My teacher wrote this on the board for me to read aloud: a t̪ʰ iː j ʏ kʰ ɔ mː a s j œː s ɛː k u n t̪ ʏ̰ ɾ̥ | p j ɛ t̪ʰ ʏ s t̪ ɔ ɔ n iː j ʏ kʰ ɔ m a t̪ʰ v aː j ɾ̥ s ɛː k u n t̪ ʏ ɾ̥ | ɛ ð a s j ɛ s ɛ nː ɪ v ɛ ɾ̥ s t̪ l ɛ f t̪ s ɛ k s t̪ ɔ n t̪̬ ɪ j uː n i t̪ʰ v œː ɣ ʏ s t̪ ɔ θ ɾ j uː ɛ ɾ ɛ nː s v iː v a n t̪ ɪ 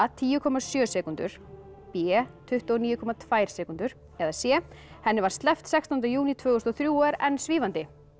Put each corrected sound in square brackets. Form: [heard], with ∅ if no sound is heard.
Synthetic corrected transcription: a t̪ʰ iː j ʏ kʰ ɔ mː a s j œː s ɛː k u n t̪ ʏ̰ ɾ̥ | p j ɛ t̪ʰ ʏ [h] t̪ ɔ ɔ n iː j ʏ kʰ ɔ m a t̪ʰ v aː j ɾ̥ s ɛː k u n t̪ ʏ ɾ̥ | ɛ ð a s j ɛ [h] ɛ nː ɪ v [a] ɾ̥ s t̪ l ɛ f t̪ s ɛ k s t̪ ɔ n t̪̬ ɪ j uː n i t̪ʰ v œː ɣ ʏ s t̪ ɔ θ ɾ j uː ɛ ɾ ɛ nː s v iː v a n t̪ ɪ